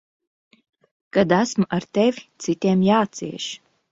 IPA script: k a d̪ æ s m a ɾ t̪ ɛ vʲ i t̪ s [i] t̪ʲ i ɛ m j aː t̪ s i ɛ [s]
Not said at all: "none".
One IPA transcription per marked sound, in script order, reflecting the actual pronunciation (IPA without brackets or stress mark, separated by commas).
i, ʃ